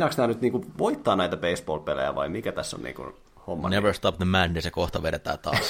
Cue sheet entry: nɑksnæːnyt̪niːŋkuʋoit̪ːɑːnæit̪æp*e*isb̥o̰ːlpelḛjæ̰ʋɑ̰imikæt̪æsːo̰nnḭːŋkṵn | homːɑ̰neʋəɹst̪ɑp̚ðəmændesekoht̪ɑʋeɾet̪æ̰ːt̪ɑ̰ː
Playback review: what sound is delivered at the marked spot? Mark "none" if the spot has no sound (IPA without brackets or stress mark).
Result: e